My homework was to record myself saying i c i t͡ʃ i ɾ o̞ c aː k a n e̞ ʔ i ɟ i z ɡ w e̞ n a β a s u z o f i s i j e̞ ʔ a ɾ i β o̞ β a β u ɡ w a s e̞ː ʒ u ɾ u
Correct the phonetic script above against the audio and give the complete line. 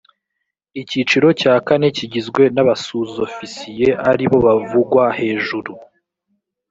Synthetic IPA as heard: i c i t͡ʃ i ɾ o̞ c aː k a n e̞ c i ɟ i z ɡ w e̞ n a β a s u z o f i s i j e̞ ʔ a ɾ i β o̞ β a v u ɡ w a h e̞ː ʒ u ɾ u